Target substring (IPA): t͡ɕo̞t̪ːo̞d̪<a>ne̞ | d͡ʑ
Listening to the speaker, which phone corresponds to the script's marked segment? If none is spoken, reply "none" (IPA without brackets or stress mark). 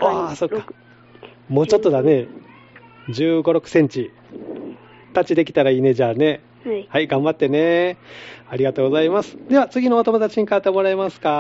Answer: a